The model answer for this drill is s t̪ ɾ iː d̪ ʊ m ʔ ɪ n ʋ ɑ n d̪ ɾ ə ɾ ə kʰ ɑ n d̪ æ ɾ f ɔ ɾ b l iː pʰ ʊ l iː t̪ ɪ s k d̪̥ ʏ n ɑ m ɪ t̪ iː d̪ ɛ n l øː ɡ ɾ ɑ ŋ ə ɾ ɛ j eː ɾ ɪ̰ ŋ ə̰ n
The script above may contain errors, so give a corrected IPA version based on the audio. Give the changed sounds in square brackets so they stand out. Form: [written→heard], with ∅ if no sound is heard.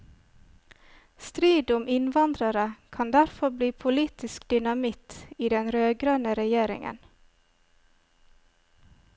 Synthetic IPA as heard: s t̪ ɾ iː d̪ ʊ m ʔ ɪ n ʋ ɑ n d̪ ɾ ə ɾ ə kʰ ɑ n d̪ æ ɾ f ɔ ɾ b l iː pʰ ʊ l iː t̪ ɪ s k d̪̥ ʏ n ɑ m ɪ t̪ iː d̪ ɛ n [l→ɾ] øː ɡ ɾ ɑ [ŋ→n] ə ɾ ɛ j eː ɾ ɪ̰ ŋ ə̰ n